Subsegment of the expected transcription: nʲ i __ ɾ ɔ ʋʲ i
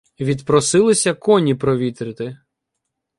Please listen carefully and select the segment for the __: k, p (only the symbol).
p